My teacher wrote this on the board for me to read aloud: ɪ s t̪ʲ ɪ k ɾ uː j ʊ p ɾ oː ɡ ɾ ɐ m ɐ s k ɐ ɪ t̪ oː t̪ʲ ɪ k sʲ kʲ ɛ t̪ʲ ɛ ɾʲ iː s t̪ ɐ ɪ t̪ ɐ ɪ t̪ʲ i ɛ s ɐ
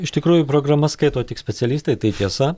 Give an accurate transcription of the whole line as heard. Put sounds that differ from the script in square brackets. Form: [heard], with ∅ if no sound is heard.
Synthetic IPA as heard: ɪ [ʃ] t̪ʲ ɪ k ɾ uː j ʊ p ɾ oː ɡ ɾ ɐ m ɐ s k ɐ ɪ t̪ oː t̪ʲ ɪ k sʲ [pʲ] ɛ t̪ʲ ɛ [lʲ] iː s t̪ ɐ ɪ t̪ ɐ ɪ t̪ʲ i ɛ s ɐ